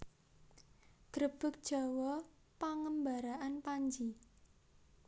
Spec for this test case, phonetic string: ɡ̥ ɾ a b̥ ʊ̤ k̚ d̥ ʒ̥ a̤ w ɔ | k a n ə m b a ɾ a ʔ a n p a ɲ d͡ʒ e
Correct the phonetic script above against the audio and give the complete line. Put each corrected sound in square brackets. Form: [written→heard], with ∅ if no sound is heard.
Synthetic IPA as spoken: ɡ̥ ɾ [a→ə] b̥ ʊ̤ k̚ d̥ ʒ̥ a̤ w ɔ | [k→p] a [n→ŋ] ə m b a ɾ a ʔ a n p a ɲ d͡ʒ [e→i]